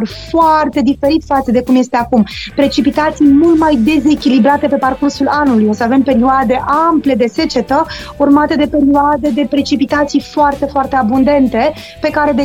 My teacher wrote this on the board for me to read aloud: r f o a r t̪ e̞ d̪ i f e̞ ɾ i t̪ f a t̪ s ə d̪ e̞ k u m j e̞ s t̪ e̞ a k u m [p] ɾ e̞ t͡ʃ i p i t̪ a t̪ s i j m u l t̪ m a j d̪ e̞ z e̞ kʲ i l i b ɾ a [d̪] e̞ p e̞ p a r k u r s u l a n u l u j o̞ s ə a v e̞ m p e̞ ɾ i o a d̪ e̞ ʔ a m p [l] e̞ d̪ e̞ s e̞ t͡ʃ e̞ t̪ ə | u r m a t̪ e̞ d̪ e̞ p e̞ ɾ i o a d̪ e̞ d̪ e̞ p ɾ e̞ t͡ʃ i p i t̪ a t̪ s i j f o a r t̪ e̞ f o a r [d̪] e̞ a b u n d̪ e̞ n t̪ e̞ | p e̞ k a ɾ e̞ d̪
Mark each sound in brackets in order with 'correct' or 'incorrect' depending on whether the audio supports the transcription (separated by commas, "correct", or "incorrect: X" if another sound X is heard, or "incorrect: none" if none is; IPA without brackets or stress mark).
correct, incorrect: t̪, correct, incorrect: t̪